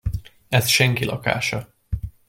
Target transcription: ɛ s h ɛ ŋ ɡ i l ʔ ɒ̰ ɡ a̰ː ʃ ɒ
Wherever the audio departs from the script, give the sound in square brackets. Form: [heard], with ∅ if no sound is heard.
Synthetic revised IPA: ɛ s [ʃ] ɛ ŋ [k] i l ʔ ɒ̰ [k] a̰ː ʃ ɒ